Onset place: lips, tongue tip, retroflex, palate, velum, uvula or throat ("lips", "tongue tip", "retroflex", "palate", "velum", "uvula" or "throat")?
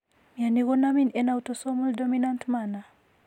lips